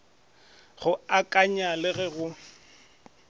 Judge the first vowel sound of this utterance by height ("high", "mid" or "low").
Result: high